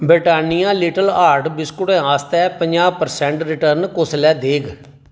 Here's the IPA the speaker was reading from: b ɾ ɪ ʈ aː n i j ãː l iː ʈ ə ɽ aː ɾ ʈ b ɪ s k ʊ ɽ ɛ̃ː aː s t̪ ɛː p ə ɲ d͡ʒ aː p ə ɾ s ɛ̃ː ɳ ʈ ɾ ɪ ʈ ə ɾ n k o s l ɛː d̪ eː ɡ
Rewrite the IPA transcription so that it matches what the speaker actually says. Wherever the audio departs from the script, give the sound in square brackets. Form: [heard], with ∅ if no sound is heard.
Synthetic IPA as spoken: b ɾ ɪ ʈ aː n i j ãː l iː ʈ ə [l] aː ɾ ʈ b ɪ s k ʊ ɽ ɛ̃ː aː s t̪ ɛː p ə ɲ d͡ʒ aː p ə ɾ s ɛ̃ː ɳ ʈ ɾ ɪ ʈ ə ɾ n k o s l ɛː d̪ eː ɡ